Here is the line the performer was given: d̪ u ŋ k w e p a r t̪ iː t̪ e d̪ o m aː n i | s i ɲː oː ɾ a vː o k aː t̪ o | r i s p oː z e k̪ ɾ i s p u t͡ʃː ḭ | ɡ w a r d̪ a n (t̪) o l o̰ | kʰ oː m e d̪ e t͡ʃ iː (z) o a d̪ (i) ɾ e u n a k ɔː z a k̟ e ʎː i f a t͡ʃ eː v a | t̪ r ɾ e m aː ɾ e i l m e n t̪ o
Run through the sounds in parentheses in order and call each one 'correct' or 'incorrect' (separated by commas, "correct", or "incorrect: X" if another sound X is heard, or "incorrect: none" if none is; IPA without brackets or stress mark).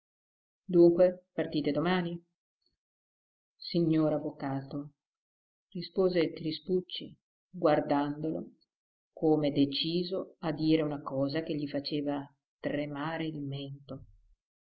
incorrect: d̪, correct, incorrect: iː